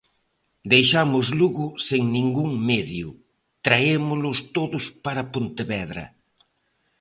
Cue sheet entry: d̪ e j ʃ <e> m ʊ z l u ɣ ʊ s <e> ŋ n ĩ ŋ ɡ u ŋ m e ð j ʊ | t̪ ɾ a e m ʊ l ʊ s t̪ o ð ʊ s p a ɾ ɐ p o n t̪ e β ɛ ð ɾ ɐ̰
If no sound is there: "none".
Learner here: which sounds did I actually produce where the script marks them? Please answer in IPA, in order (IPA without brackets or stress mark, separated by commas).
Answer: a, e